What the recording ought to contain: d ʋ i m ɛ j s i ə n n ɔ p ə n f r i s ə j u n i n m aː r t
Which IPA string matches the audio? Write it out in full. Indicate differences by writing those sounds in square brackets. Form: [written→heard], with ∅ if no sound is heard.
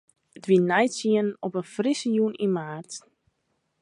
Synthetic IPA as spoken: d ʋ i [m→n] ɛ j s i ə n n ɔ p ə n f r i s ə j u n i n m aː r t